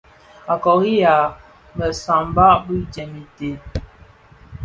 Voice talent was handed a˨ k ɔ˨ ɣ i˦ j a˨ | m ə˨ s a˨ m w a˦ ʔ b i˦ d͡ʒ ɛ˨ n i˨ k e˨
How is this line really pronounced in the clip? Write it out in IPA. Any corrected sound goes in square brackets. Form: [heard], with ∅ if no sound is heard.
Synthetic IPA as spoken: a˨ k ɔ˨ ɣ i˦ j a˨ | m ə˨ s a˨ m [b] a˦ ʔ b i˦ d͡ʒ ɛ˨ [m] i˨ [t] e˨